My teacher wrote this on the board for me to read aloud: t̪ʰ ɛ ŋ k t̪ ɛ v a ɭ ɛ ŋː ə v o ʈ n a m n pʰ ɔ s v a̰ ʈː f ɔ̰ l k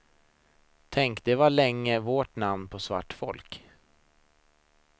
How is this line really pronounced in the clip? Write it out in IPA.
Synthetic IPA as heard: t̪ʰ ɛ ŋ k d̪ ɛ v a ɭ ɛ ŋː ə v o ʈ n a m n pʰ ɔ s v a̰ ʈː f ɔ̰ l k